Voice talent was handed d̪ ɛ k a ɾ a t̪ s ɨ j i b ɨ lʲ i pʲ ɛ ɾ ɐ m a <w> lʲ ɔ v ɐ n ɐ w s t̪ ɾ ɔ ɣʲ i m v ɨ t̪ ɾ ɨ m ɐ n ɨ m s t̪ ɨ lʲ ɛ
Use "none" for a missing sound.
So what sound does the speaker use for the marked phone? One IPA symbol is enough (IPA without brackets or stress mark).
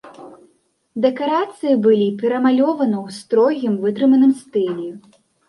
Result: none